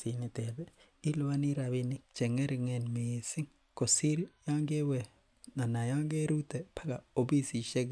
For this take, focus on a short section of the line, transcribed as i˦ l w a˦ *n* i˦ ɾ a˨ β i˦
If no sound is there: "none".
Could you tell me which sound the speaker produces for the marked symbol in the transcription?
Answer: n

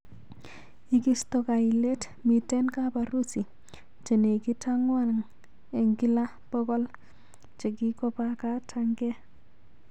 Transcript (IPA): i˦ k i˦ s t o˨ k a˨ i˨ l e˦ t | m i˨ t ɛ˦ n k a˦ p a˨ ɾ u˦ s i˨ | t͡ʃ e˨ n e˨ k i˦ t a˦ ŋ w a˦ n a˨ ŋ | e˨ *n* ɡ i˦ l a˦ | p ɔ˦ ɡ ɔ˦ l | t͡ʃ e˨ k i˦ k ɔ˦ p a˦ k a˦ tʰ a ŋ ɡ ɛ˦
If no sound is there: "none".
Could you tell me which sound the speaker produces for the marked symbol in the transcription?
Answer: ŋ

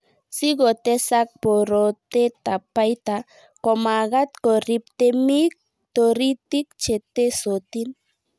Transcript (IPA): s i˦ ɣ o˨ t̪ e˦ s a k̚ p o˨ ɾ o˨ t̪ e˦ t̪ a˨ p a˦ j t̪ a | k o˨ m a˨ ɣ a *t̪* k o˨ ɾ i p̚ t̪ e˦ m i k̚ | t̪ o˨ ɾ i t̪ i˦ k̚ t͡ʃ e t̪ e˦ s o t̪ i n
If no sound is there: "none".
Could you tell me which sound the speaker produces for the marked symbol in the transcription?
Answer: t̪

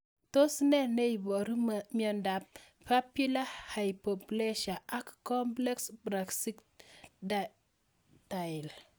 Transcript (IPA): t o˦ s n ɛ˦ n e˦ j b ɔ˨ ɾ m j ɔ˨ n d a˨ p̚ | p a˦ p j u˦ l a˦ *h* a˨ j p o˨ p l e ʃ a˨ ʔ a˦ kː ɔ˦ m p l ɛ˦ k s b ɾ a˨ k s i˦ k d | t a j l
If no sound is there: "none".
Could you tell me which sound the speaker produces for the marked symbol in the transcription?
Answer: h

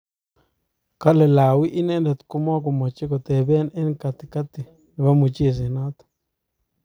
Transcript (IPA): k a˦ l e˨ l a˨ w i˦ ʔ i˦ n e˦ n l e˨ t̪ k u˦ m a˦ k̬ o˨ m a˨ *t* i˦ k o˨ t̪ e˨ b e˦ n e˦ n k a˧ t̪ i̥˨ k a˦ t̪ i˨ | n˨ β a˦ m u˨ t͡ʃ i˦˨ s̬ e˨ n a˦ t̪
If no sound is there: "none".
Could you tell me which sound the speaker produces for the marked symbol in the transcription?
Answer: t͡ʃ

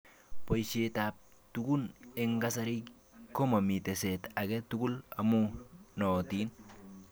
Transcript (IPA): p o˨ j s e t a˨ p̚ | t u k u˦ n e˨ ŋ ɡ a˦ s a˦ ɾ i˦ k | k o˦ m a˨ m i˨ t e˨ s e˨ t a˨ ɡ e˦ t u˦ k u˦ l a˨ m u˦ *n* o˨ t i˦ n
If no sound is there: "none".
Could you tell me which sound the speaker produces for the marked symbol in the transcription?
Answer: n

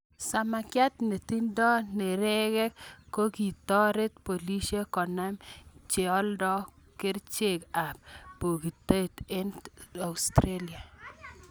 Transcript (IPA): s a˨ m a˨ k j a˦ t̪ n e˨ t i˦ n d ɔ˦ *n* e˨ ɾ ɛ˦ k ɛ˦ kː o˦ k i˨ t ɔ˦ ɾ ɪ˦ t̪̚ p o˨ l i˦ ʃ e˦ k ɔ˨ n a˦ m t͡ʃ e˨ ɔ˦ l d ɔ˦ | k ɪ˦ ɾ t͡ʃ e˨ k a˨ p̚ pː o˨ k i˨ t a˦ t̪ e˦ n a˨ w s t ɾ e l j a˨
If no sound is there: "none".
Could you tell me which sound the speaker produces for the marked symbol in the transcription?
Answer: n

